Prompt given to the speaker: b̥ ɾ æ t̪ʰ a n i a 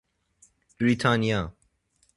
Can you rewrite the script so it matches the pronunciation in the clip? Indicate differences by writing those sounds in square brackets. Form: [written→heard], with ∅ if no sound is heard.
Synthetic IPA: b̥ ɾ [æ→i] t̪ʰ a n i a